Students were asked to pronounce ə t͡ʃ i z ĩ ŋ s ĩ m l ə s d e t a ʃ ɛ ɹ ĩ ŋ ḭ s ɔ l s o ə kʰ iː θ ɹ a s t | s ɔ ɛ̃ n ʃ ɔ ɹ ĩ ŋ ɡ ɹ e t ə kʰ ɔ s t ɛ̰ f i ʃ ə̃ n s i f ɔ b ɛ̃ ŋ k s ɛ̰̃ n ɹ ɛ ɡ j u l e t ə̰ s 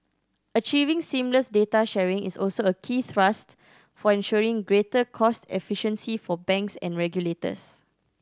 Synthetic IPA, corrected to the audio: ə t͡ʃ i v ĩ ŋ s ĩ m l ə s d e t a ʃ ɛ ɹ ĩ ŋ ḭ s ɔ l s o ə kʰ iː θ ɹ a s t | f ɔ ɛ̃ n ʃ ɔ ɹ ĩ ŋ ɡ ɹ e t ə kʰ ɔ s t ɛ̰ f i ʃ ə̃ n s i f ɔ b ɛ̃ ŋ k s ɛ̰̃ n ɹ ɛ ɡ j u l e t ə̰ s